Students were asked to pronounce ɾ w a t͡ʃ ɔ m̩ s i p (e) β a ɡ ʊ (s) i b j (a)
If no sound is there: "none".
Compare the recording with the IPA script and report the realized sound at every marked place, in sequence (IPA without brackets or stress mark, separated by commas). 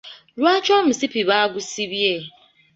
i, s, e